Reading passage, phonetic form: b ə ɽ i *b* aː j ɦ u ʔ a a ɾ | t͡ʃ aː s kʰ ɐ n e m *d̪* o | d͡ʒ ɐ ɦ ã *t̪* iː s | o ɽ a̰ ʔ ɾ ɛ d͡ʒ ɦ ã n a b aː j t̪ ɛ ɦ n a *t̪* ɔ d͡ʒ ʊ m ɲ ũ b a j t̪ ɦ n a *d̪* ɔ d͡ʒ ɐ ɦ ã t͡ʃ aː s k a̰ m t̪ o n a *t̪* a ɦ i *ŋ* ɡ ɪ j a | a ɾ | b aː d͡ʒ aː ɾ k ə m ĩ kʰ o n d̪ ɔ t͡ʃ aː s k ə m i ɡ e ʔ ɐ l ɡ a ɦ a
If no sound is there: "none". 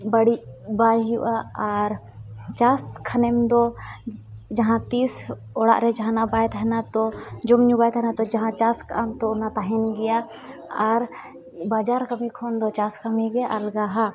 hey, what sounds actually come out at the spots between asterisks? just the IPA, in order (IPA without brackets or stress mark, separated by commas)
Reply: b, d̪, t̪, t̪, t̪, t̪, n